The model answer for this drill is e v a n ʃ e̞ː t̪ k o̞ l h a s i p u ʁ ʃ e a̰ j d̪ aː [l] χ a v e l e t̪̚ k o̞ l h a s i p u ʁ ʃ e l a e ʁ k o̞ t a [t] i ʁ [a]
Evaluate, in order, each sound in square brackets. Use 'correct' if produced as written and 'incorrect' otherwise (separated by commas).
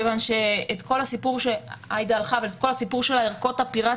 correct, incorrect, correct